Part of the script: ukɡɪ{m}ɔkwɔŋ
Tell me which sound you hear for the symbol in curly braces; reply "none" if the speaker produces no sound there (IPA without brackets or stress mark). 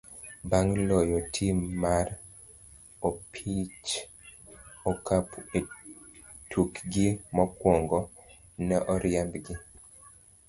m